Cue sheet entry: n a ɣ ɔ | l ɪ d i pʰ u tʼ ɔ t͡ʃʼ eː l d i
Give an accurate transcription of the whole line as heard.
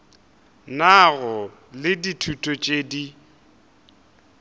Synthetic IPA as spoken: n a ɣ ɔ | l ɪ d i tʰ u tʼ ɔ t͡ʃʼ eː d i